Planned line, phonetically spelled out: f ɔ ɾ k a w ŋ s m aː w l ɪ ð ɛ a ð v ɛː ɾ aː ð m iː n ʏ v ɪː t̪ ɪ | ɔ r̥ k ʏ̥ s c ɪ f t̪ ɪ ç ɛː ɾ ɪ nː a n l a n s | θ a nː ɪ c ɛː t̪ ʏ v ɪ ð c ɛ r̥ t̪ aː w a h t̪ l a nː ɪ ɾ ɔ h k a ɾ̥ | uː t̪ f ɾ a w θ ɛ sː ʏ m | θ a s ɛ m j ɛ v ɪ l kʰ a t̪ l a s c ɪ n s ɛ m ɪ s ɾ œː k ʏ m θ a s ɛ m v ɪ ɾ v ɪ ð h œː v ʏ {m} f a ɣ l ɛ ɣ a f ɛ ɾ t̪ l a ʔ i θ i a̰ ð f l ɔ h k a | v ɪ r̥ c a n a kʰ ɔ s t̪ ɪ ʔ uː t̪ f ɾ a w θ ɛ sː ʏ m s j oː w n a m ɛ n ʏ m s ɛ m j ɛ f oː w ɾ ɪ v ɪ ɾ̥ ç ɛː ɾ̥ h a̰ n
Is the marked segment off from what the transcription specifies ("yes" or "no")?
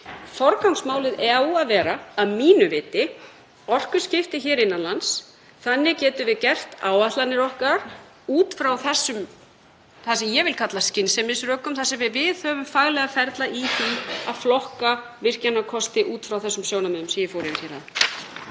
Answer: no